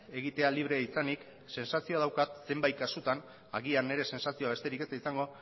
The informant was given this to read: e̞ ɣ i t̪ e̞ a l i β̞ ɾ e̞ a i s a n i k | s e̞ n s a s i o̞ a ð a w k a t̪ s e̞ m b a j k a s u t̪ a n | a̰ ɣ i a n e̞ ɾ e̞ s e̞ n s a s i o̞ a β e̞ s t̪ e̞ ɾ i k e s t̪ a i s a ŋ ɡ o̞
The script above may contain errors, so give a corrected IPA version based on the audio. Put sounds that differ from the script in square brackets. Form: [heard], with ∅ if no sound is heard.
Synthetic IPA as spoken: e̞ ɣ i t̪ e̞ a l i β̞ ɾ e̞ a i s a n i k | s e̞ n s a s i o̞ a ð a w k a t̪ s e̞ m b a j k a s u t̪ a n | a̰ ɣ i a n e̞ ɾ e̞ s e̞ n s a s i o̞ a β e̞ s t̪ e̞ ɾ i k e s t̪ a i s a ŋ ɡ o̞